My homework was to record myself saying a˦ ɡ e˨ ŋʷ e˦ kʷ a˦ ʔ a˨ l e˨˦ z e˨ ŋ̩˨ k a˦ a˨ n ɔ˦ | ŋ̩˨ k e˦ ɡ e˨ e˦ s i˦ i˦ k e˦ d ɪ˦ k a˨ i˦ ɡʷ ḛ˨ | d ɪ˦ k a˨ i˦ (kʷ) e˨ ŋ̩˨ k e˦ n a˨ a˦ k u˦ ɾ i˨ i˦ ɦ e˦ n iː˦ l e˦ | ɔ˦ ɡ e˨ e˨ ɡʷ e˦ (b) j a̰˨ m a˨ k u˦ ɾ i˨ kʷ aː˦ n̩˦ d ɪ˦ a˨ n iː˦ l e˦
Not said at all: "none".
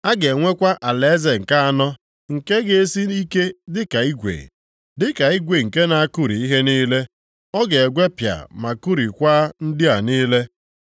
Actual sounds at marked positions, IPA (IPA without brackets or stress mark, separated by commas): ɡʷ, p